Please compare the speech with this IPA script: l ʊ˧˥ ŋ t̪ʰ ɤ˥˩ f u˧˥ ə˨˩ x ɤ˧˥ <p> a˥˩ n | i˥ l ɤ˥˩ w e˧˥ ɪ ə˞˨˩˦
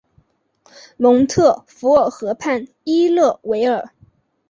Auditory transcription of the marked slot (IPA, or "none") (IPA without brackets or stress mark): pʰ